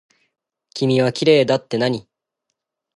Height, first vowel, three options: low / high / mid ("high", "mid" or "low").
high